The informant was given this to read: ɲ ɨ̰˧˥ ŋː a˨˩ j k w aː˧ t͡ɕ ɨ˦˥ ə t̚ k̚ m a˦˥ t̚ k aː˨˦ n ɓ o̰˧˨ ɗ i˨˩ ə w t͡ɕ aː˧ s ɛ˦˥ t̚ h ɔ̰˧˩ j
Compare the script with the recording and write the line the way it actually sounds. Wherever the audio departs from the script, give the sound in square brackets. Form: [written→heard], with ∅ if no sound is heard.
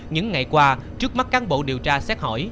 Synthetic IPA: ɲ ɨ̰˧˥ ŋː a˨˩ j k w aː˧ t͡ɕ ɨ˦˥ ə [t̚→∅] k̚ m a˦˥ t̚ k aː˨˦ n ɓ o̰˧˨ ɗ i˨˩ ə w t͡ɕ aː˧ s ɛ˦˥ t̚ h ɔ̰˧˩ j